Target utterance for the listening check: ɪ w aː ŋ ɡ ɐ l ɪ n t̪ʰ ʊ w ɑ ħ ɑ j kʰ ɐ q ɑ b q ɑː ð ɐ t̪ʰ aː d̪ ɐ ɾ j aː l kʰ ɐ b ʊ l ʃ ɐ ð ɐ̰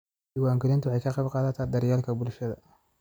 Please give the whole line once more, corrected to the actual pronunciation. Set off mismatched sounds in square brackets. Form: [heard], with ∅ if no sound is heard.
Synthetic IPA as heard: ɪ w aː ŋ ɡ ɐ l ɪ n [t̪] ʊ w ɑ ħ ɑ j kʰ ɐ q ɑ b q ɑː ð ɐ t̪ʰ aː d̪ ɐ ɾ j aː l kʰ ɐ b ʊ l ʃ ɐ ð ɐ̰